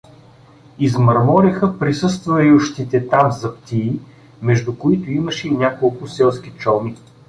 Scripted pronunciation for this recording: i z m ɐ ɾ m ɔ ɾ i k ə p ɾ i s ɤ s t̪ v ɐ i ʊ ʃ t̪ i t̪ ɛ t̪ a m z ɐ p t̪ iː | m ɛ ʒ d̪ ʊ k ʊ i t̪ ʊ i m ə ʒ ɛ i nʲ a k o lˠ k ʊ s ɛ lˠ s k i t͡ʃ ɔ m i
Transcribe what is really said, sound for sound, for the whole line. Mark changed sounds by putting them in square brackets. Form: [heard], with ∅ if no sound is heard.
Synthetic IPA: i z m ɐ ɾ m ɔ ɾ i [x] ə p ɾ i s ɤ s t̪ v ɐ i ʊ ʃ t̪ i t̪ ɛ t̪ a m z ɐ p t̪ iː | m ɛ ʒ d̪ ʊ k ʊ i t̪ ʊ i m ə [ʃ] ɛ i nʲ a k o lˠ k ʊ s ɛ lˠ s k i t͡ʃ ɔ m i

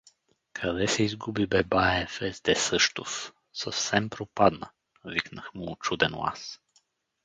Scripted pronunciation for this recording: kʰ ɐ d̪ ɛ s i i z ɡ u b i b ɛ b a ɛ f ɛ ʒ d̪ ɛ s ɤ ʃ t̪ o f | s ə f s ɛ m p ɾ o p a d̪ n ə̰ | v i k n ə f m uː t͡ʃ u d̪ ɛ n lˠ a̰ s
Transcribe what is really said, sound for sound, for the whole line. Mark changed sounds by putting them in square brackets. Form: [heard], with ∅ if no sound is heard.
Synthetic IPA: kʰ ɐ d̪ ɛ s [ɛ] i z ɡ u b i b ɛ b a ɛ f ɛ [z] d̪ ɛ s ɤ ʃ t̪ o f | s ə f s ɛ m p ɾ o p a d̪ n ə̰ | v i k n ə [x] m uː t͡ʃ u d̪ ɛ n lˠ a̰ s

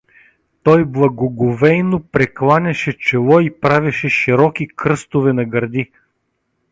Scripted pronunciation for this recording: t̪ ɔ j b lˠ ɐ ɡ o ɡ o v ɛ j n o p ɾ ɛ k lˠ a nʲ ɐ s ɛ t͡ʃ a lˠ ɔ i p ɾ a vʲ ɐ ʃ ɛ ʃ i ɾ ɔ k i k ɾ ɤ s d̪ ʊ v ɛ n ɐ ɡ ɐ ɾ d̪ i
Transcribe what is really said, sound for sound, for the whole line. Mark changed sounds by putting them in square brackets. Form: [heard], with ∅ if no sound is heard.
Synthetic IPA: t̪ ɔ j b lˠ ɐ ɡ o ɡ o v ɛ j n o p ɾ ɛ k lˠ a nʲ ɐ [ʃ] ɛ t͡ʃ [ɛ] lˠ ɔ i p ɾ a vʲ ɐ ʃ ɛ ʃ i ɾ ɔ k i k ɾ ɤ s [t̪] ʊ v ɛ n ɐ ɡ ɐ ɾ d̪ i

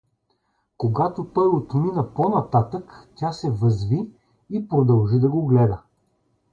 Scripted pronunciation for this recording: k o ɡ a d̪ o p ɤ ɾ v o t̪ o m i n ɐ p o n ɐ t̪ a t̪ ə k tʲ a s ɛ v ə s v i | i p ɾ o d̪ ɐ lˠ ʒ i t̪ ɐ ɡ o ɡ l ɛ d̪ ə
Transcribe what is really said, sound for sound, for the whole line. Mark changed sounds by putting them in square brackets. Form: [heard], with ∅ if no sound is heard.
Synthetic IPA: k o ɡ a [t̪] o p ɤ ɾ v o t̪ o m i n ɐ p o n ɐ t̪ a t̪ ə k tʲ a s ɛ v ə [z] v i | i p ɾ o d̪ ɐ lˠ ʒ i [d̪] ɐ ɡ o ɡ l ɛ d̪ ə

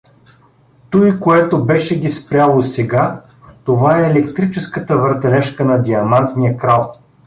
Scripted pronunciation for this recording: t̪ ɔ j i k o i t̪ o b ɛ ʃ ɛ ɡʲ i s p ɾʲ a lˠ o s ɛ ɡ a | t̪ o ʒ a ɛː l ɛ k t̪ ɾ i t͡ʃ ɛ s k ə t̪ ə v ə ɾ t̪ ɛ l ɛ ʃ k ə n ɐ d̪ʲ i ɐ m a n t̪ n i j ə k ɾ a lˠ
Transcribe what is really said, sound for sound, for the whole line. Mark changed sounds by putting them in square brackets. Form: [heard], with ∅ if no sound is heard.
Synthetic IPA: t̪ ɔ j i k o [ɛ] t̪ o b ɛ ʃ ɛ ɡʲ i s p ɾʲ a lˠ o s ɛ ɡ a | t̪ o [v] a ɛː l ɛ k t̪ ɾ i t͡ʃ ɛ s k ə t̪ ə v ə ɾ t̪ ɛ l ɛ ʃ k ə n ɐ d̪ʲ i ɐ m a n t̪ n i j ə k ɾ a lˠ

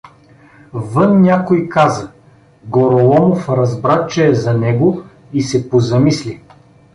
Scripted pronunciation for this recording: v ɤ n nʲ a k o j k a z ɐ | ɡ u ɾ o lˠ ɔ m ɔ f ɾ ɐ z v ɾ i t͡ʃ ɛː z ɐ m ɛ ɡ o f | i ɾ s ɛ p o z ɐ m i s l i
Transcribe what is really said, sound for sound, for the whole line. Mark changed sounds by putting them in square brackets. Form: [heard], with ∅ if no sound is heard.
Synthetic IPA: v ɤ n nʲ a k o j k a z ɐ | ɡ [o] ɾ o lˠ ɔ m [o] f ɾ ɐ z [b] ɾ [a] t͡ʃ ɛː z ɐ [n] ɛ ɡ o [∅] | i [∅] s ɛ p o z ɐ m i s l i

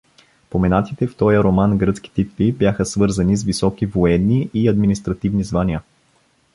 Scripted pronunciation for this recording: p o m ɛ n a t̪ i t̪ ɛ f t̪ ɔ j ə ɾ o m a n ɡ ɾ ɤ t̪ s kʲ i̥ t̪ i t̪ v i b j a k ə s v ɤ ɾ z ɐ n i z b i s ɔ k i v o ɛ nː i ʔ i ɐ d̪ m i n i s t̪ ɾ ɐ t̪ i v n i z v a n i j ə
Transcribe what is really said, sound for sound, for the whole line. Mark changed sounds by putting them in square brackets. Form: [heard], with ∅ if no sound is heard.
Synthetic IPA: p o m ɛ n a t̪ i t̪ ɛ f t̪ ɔ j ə ɾ o m a n ɡ ɾ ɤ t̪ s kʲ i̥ t̪ i t̪ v i b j a [x] ə s v ɤ ɾ z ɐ n i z [v] i s ɔ k i v o ɛ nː i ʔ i ɐ d̪ m i n i s t̪ ɾ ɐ t̪ i v n i z v a n i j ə

